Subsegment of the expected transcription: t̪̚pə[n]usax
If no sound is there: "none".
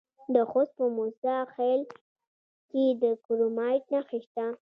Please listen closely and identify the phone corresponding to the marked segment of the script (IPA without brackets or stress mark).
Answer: m